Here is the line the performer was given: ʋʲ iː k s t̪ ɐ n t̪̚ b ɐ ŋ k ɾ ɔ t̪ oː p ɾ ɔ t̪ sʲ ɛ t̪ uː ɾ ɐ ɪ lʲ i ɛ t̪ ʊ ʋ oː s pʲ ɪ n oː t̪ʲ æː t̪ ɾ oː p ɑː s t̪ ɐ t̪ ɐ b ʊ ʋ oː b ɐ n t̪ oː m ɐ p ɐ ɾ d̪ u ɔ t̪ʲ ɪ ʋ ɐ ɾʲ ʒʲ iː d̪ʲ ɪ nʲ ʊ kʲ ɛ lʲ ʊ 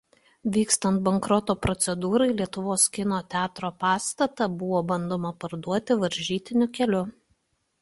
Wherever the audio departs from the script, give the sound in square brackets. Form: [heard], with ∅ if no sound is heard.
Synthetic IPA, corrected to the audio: ʋʲ iː k s t̪ ɐ n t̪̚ b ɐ ŋ k ɾ ɔ t̪ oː p ɾ ɔ t̪ sʲ ɛ [d̪] uː ɾ ɐ ɪ lʲ i ɛ t̪ ʊ ʋ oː s [kʲ] ɪ n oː t̪ʲ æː t̪ ɾ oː p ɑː s t̪ ɐ t̪ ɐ b ʊ ʋ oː b ɐ n [d̪] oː m ɐ p ɐ ɾ d̪ u ɔ t̪ʲ ɪ ʋ ɐ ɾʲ ʒʲ iː [t̪ʲ] ɪ nʲ ʊ kʲ ɛ lʲ ʊ